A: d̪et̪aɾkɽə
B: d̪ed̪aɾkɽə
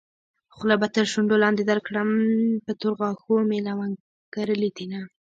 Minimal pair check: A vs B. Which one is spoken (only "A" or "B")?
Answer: B